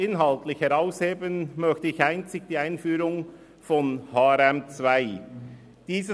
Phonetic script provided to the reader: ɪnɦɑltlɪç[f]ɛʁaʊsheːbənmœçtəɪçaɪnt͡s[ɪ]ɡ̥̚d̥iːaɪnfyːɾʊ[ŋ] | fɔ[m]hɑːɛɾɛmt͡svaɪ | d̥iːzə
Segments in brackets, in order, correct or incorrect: incorrect, correct, correct, incorrect

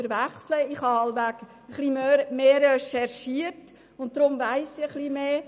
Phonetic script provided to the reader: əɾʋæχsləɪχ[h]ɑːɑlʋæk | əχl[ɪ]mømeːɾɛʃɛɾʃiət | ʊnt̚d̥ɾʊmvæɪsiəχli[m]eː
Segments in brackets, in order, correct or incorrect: correct, incorrect, correct

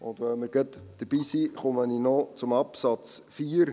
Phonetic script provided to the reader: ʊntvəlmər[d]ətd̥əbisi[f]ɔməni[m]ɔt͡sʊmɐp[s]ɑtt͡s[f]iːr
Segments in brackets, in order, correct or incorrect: incorrect, incorrect, incorrect, correct, correct

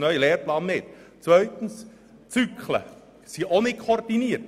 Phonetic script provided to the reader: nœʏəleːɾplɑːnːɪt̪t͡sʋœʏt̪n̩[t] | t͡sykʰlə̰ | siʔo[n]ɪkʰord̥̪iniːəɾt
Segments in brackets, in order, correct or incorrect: incorrect, correct

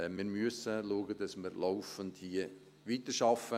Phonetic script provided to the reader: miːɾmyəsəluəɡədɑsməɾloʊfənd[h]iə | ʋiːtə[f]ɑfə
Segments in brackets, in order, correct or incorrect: correct, incorrect

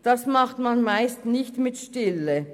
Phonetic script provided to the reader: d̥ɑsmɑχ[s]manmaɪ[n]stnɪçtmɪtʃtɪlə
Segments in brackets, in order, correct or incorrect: incorrect, incorrect

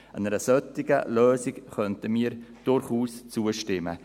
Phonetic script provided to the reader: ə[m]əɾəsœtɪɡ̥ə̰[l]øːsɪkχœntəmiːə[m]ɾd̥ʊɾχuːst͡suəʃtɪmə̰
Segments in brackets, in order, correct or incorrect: incorrect, correct, incorrect

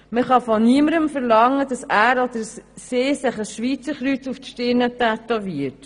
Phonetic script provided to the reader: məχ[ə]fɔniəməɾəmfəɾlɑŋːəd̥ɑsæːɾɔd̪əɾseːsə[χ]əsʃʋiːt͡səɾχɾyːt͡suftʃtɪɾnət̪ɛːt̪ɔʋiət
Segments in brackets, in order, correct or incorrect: incorrect, correct

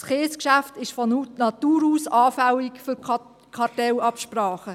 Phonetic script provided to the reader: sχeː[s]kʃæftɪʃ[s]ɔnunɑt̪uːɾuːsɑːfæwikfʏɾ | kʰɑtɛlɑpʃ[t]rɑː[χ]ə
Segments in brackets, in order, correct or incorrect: correct, incorrect, incorrect, correct

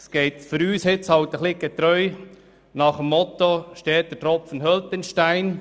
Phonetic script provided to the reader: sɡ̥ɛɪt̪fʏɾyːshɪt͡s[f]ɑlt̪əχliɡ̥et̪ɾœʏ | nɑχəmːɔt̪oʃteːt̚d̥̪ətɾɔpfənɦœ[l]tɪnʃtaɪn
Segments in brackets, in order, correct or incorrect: incorrect, correct

